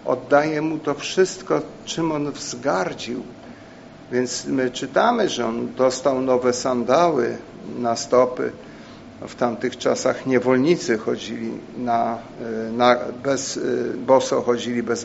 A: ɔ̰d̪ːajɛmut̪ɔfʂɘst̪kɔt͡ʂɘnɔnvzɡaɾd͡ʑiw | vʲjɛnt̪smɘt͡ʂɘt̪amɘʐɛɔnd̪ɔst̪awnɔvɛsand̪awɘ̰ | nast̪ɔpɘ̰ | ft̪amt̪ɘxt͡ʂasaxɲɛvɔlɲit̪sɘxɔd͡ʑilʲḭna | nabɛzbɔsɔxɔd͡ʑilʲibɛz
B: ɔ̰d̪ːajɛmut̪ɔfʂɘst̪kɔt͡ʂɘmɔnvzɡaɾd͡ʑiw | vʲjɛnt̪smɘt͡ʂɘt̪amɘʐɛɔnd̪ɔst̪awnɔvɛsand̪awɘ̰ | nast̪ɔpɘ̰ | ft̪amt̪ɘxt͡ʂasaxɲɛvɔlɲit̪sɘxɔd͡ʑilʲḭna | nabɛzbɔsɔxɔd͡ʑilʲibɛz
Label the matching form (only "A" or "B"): B